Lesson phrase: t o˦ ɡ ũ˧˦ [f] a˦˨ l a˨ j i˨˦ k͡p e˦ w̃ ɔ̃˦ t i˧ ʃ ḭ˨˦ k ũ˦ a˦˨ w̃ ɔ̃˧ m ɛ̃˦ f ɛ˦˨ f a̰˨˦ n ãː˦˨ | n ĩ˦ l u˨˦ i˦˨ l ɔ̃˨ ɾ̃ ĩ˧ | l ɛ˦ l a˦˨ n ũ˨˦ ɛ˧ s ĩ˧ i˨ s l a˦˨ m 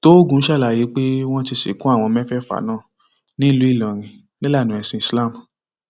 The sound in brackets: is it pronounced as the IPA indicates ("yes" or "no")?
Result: no